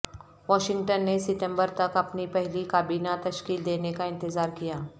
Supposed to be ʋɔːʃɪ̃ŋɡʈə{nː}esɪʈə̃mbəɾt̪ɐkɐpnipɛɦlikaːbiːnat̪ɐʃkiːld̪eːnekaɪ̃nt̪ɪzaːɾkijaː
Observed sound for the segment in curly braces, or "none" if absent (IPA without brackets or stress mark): nː